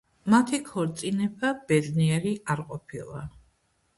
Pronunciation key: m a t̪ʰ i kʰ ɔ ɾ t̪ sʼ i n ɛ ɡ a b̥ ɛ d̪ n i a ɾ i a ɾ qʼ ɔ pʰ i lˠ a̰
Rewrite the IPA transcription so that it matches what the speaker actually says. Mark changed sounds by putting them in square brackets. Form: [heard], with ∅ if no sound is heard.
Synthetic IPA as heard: m a t̪ʰ i kʰ ɔ ɾ t̪ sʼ i n ɛ [b] a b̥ ɛ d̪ n i [ɛ] ɾ i a ɾ qʼ ɔ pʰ i lˠ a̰